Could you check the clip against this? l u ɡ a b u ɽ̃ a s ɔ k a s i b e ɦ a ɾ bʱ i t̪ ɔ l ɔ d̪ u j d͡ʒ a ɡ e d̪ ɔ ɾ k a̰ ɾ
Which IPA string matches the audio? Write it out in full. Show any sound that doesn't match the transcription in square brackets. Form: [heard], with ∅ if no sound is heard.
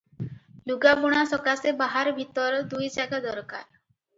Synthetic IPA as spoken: l u ɡ a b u ɽ̃ a s ɔ k a s [e] b [a] ɦ a ɾ bʱ i t̪ ɔ [ɾ] ɔ d̪ u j d͡ʒ a ɡ [a] d̪ ɔ ɾ k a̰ ɾ

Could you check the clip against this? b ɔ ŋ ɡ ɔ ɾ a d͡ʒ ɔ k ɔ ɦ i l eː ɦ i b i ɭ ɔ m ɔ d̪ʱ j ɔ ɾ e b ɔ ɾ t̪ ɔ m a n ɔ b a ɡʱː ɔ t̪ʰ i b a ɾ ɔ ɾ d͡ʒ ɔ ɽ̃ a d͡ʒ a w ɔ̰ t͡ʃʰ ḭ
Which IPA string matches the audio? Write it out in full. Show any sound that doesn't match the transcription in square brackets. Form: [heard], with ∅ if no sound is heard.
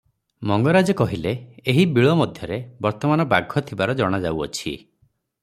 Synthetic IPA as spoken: [m] ɔ ŋ ɡ ɔ ɾ a d͡ʒ ɔ k ɔ ɦ i l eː ɦ i b i ɭ ɔ m ɔ d̪ʱ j ɔ ɾ e b ɔ ɾ t̪ ɔ m a n ɔ b a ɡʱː ɔ t̪ʰ i b a ɾ ɔ [∅] d͡ʒ ɔ ɽ̃ a d͡ʒ a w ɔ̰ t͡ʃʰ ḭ

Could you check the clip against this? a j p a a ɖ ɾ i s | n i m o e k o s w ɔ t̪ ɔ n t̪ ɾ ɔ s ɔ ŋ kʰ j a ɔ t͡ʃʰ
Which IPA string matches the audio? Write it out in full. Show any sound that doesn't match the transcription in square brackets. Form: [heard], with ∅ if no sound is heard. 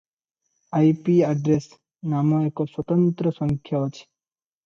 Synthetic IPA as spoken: a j p [i] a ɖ ɾ [e] s | n [a] m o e k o s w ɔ t̪ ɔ n t̪ ɾ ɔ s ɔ ŋ kʰ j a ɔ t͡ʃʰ

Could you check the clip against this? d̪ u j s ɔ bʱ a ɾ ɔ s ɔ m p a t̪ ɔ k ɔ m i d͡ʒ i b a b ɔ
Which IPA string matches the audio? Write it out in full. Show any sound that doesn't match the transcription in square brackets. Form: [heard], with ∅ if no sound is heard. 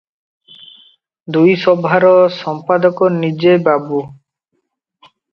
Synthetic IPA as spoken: d̪ u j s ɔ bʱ a ɾ ɔ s ɔ m p a [d̪] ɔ k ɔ [n] i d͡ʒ [e] b a b [u]

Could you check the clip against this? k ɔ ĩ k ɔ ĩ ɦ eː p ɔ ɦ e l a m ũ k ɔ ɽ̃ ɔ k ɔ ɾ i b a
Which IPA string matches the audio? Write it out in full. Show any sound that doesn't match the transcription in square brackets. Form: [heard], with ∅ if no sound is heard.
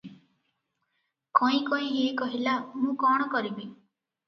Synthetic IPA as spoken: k ɔ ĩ k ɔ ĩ ɦ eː [k] ɔ ɦ [i] l a m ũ k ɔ ɽ̃ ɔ k ɔ ɾ i b [i]

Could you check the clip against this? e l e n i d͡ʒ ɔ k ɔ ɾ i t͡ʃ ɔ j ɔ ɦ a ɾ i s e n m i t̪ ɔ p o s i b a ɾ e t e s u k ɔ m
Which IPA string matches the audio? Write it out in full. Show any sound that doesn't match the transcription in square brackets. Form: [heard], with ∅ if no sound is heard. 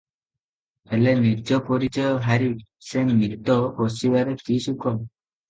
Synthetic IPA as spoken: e l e n i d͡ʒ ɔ [p] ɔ ɾ i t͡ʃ ɔ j ɔ ɦ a ɾ i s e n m i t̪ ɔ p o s i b a ɾ e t [i] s u k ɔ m

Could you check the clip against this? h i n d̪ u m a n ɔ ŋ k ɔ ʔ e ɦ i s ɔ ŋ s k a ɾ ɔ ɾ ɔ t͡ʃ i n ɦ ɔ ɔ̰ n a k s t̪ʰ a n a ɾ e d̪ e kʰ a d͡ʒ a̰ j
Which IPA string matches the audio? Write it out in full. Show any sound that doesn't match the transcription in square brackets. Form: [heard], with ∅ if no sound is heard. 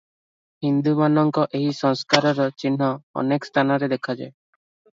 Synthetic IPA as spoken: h i n d̪ u m a n ɔ ŋ k ɔ ʔ e ɦ i s ɔ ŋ s k a ɾ ɔ ɾ ɔ t͡ʃ i n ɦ ɔ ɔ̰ n [e] k s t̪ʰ a n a ɾ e d̪ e kʰ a d͡ʒ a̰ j

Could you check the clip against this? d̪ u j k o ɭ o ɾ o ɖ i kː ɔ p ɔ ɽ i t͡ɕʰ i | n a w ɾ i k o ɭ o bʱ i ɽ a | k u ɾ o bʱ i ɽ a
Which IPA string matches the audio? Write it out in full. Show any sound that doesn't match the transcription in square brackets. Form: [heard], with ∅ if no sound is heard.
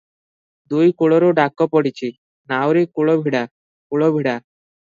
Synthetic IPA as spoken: d̪ u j k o ɭ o ɾ o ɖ [a] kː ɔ p ɔ ɽ i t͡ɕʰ i | n a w ɾ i k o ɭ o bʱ i ɽ a | k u [ɭ] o bʱ i ɽ a

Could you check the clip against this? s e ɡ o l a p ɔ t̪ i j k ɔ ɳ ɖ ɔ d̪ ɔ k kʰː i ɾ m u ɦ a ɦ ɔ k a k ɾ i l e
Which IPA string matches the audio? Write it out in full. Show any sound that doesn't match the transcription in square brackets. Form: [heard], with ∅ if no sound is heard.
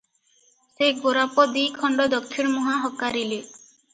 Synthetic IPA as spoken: s e ɡ o [ɾ] a p ɔ [d̪] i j [kʰ] ɔ ɳ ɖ ɔ d̪ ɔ k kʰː i ɾ m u ɦ a ɦ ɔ k a [∅] ɾ i l e

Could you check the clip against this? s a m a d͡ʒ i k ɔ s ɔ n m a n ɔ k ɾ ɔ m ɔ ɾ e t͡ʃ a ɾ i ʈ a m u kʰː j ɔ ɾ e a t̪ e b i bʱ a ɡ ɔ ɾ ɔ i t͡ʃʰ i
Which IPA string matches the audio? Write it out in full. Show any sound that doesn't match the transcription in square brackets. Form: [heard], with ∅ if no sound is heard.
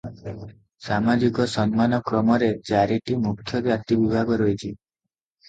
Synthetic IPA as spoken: s a m a d͡ʒ i k ɔ s ɔ n m a n ɔ k ɾ ɔ m ɔ ɾ e t͡ʃ a ɾ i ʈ [i] m u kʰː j ɔ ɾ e a t̪ [i] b i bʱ a ɡ ɔ ɾ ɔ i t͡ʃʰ i

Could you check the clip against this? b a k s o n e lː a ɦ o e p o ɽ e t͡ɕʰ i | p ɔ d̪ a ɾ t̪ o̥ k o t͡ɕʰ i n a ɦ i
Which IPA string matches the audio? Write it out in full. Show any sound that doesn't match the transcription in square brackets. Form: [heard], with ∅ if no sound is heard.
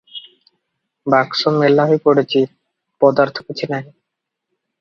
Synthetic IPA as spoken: b a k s o [m] e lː a ɦ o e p o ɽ e t͡ɕʰ i | p ɔ d̪ a ɾ [t̪ʰ] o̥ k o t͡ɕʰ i n a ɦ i

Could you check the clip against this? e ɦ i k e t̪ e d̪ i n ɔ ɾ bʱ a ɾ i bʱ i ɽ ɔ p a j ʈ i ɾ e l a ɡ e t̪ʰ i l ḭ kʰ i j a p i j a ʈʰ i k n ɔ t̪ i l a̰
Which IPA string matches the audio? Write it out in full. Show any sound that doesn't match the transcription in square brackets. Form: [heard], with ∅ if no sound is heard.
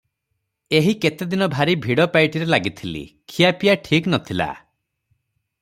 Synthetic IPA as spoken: e ɦ i k e t̪ e d̪ i n ɔ [∅] bʱ a ɾ i bʱ i ɽ ɔ p a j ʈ i ɾ e l a ɡ [i] t̪ʰ i l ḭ kʰ i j a p i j a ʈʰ i k n ɔ [t̪ʰ] i l a̰

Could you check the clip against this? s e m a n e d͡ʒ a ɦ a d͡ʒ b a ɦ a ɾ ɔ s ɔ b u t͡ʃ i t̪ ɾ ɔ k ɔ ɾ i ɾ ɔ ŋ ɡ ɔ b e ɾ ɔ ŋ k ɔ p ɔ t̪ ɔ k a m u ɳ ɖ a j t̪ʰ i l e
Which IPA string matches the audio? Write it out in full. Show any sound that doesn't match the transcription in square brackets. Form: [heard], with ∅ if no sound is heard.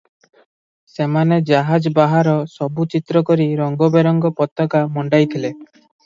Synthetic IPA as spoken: s e m a n e d͡ʒ a ɦ a d͡ʒ b a ɦ a ɾ ɔ s ɔ b u t͡ʃ i t̪ ɾ ɔ k ɔ ɾ i ɾ ɔ ŋ ɡ ɔ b e ɾ ɔ ŋ [ɡ] ɔ p ɔ t̪ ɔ k a m [ɔ] ɳ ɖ a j t̪ʰ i l e

